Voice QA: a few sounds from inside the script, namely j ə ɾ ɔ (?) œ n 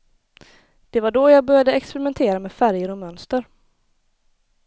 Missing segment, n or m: m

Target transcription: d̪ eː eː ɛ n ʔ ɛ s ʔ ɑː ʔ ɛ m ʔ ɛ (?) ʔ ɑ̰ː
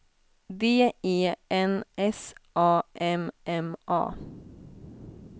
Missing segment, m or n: m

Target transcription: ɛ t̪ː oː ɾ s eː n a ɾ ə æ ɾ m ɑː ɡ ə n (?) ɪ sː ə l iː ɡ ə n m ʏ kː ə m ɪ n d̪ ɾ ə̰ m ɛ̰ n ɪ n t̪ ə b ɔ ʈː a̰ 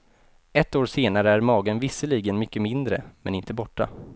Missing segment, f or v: v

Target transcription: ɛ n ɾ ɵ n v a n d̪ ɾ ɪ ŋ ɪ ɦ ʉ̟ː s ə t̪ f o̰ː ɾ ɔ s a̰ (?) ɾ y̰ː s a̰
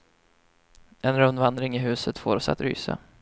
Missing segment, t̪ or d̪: t̪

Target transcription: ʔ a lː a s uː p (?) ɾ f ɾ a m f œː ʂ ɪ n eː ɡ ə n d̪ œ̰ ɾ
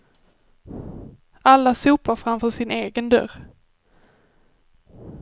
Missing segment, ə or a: a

